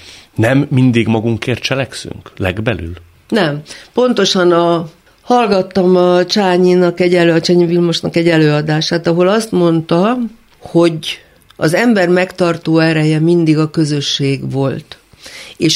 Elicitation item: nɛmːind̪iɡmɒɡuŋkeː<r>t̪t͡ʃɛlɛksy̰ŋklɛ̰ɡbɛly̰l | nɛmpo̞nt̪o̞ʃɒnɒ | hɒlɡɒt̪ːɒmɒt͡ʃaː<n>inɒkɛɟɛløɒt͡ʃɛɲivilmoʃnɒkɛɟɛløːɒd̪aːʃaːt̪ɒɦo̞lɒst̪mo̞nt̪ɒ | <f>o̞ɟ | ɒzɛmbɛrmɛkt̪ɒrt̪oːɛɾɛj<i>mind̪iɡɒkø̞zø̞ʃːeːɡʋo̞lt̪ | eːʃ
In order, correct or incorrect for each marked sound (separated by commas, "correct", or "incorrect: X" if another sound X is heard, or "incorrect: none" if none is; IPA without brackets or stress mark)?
correct, incorrect: ɲ, incorrect: h, incorrect: ɛ